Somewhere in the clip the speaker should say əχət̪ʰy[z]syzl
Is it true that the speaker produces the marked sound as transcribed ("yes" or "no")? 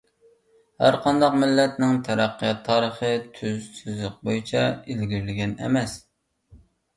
yes